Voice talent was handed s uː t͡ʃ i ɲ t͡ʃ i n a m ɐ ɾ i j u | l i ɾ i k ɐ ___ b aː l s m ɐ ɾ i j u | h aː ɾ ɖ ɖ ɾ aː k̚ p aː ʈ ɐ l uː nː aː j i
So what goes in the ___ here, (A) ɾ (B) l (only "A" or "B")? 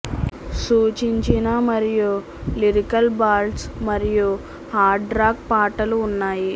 B